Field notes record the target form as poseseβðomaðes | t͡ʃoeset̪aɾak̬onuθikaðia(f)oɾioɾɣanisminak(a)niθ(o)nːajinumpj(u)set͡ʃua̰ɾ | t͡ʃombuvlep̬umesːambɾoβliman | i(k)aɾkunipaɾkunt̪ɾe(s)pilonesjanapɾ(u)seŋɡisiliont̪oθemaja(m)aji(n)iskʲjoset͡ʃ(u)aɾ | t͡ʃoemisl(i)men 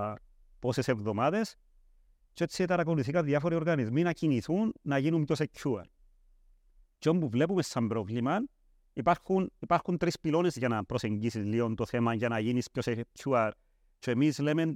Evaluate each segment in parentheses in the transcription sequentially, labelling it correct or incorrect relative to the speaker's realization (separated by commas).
correct, incorrect, incorrect, incorrect, incorrect, correct, incorrect, incorrect, correct, correct, incorrect